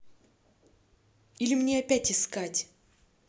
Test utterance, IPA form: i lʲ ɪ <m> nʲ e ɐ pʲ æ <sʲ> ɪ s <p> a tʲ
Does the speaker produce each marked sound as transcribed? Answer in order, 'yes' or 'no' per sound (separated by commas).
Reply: yes, no, no